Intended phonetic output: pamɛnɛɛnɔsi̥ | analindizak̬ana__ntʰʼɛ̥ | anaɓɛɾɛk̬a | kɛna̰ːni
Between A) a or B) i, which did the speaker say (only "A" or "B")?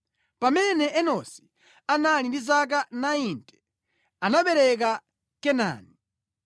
B